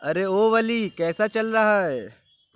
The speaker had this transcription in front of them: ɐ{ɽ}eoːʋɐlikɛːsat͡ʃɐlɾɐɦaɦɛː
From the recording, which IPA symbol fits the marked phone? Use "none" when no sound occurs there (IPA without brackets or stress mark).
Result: ɾ